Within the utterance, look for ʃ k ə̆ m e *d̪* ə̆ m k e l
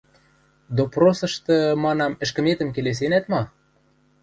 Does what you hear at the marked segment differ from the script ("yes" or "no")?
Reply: yes